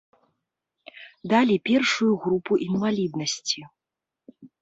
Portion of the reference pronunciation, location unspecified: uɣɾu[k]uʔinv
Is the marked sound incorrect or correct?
incorrect